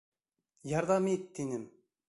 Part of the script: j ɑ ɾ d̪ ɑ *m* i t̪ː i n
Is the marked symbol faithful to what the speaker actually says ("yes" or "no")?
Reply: yes